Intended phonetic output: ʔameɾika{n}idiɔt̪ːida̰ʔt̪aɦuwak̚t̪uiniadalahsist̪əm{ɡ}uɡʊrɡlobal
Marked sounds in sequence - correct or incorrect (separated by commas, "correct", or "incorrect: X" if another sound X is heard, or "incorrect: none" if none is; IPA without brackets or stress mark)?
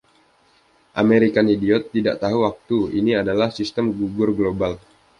correct, correct